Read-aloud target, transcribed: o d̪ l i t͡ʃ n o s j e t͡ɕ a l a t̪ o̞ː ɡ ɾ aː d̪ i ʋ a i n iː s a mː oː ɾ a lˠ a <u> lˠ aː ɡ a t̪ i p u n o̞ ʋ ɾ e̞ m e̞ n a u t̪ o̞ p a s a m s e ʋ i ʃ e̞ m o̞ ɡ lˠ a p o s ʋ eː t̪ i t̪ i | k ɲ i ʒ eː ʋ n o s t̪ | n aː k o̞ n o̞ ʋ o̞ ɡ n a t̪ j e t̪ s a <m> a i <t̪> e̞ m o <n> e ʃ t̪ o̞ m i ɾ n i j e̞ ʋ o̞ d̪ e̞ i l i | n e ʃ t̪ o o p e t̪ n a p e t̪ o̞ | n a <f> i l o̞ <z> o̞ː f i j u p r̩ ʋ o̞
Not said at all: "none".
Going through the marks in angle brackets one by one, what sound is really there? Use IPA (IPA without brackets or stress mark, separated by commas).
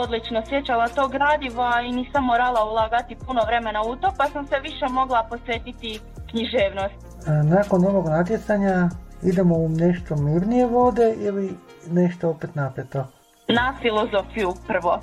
u, ɲ, d̪, n, f, z